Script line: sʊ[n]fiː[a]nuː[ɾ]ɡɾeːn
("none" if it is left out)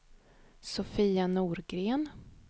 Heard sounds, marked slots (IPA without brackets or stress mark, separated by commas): none, a, ɾ